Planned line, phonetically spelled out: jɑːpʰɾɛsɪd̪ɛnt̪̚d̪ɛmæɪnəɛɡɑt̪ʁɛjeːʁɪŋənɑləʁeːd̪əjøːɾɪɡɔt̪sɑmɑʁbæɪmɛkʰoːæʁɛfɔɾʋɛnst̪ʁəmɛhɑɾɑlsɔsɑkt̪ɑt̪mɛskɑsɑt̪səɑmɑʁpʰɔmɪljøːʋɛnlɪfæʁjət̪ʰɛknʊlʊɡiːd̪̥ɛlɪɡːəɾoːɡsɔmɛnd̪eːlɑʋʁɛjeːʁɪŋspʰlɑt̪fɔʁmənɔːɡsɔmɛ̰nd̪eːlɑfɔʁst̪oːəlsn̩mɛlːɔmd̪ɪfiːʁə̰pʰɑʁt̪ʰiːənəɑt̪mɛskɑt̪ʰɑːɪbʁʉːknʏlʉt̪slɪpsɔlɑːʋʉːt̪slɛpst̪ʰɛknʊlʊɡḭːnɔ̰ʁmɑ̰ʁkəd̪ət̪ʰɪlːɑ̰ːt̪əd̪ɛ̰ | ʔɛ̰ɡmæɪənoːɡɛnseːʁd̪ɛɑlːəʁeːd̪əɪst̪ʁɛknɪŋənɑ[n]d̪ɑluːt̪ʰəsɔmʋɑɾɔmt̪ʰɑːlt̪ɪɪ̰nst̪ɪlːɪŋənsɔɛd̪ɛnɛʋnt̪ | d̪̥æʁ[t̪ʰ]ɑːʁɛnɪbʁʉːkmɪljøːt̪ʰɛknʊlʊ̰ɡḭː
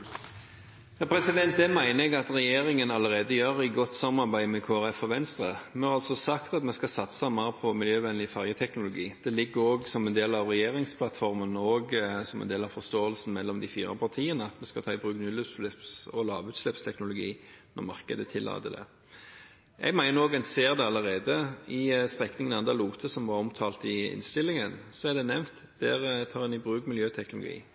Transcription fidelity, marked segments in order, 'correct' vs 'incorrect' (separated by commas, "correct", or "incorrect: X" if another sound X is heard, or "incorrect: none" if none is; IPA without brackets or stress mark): correct, correct